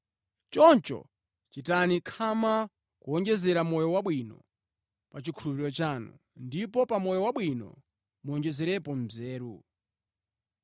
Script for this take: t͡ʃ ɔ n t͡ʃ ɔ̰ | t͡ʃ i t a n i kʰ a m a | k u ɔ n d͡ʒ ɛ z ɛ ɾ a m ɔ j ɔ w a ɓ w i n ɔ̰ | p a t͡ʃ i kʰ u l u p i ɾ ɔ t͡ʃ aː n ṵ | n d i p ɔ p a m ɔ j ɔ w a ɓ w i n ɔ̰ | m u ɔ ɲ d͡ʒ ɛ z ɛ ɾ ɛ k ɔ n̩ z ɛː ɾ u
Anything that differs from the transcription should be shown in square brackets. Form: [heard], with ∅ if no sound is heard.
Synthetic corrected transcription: t͡ʃ ɔ n t͡ʃ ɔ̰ | t͡ʃ i t a n i kʰ a m a | k u ɔ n d͡ʒ ɛ z ɛ ɾ a m ɔ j ɔ w a ɓ w i n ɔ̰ | p a t͡ʃ i kʰ u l u p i ɾ ɔ t͡ʃ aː n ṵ | n d i p ɔ p a m ɔ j ɔ w a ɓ w i n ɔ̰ | m u ɔ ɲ d͡ʒ ɛ z ɛ ɾ ɛ [p] ɔ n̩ z ɛː ɾ u